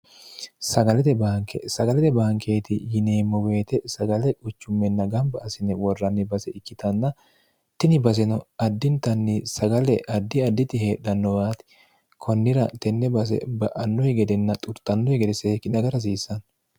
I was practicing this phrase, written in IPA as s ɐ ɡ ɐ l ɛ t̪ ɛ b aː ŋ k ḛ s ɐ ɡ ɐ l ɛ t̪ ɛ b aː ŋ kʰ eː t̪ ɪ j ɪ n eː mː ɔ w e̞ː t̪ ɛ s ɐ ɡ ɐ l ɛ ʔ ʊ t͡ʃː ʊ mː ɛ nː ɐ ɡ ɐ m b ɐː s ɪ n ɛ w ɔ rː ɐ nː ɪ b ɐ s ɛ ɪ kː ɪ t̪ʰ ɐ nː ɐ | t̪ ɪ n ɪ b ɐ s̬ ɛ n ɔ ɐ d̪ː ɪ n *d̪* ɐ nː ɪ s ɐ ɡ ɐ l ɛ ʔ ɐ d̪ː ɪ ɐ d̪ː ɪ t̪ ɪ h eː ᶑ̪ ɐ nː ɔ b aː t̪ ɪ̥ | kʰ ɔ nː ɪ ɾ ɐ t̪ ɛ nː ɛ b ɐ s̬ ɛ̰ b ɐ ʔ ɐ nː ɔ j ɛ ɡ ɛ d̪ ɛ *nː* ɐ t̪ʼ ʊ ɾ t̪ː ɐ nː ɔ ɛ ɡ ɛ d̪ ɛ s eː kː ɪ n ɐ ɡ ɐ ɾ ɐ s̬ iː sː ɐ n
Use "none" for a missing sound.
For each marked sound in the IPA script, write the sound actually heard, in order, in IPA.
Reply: t̪, nː

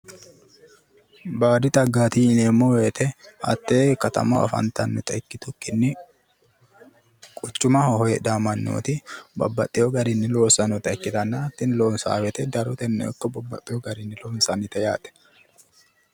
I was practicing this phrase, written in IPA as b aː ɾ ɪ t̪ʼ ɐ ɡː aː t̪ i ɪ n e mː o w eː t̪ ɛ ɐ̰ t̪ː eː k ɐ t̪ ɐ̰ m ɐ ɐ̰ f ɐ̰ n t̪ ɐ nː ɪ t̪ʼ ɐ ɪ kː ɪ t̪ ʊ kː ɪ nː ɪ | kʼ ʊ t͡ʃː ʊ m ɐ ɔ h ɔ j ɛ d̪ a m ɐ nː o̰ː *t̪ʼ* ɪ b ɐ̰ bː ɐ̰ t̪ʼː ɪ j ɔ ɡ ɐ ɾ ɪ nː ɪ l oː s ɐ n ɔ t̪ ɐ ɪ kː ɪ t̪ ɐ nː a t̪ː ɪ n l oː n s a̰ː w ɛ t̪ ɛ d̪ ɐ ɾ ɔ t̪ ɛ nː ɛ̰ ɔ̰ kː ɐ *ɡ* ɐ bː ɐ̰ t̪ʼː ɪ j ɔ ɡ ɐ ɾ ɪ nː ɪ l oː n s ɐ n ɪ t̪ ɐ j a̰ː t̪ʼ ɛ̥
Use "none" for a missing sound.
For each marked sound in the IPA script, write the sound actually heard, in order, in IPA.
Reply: t̪, b

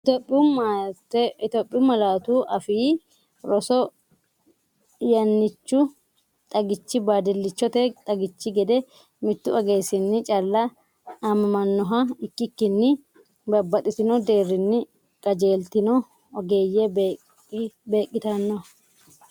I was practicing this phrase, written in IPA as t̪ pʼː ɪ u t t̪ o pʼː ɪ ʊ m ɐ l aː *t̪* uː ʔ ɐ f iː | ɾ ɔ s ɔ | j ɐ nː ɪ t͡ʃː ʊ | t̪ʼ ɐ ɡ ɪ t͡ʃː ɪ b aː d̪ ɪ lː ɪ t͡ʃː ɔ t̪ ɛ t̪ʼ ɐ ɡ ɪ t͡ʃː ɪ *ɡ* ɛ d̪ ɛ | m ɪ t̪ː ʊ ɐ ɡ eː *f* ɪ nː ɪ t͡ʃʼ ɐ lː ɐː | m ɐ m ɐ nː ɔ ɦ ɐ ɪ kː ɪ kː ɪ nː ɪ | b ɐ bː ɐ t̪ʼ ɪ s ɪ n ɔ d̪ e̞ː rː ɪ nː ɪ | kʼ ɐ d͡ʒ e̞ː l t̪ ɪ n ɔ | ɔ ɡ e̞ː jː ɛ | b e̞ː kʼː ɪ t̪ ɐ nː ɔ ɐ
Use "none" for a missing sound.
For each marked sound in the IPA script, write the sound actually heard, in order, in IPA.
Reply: t̪, ɡ, s

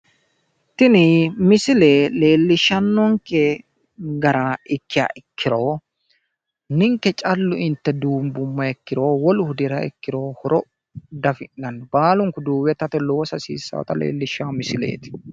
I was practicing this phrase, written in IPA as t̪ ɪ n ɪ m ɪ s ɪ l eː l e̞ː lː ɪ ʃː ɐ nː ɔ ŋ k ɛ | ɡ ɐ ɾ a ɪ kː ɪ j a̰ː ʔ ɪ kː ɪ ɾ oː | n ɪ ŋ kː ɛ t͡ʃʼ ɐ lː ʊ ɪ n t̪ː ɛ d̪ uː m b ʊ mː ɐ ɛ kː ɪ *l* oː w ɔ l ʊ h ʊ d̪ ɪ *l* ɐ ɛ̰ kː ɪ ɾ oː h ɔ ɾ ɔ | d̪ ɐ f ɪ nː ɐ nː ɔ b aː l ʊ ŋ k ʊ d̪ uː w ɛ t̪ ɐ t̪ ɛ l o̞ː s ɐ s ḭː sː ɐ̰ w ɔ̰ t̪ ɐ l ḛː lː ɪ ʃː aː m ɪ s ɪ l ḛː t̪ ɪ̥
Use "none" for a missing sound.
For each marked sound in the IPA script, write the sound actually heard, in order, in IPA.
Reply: ɾ, ɾ

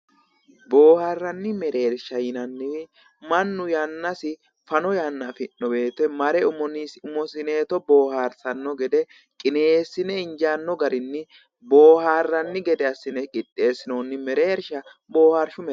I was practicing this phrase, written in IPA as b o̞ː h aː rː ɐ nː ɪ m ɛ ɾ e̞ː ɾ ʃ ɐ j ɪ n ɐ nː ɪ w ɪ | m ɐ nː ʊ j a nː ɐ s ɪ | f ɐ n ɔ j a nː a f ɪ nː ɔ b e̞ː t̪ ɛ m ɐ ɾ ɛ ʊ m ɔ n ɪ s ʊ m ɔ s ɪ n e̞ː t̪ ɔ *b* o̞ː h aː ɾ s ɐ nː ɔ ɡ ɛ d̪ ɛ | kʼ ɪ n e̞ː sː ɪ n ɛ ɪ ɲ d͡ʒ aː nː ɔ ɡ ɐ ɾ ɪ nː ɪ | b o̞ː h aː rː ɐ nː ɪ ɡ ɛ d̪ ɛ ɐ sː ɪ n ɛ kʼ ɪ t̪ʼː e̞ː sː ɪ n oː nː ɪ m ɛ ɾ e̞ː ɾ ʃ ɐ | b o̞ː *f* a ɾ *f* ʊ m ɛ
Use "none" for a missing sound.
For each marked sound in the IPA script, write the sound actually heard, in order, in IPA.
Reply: b, h, ʃ

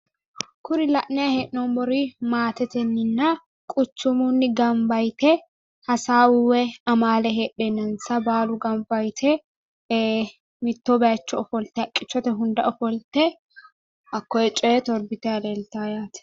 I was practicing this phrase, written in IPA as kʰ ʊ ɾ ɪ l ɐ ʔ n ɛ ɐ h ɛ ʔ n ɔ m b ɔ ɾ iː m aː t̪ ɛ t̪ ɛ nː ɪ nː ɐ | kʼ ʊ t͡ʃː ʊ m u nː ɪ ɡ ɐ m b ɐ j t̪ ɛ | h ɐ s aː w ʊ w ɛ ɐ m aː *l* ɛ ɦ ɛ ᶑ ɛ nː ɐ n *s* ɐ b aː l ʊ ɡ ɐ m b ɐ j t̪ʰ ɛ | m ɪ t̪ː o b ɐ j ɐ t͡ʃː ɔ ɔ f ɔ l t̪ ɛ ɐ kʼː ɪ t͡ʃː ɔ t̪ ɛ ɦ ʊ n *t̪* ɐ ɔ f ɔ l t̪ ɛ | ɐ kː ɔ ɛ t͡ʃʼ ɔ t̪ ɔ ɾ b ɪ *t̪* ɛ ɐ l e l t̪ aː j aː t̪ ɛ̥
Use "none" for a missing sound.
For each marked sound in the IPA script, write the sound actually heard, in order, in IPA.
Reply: l, s, d̪, t̪

